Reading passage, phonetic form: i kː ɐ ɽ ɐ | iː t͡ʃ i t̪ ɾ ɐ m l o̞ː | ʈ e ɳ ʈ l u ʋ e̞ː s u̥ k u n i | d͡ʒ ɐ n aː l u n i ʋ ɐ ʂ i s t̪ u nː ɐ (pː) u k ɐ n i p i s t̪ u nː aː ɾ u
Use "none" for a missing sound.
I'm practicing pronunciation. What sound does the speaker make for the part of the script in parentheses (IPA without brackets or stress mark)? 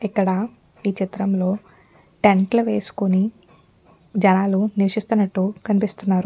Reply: ʈː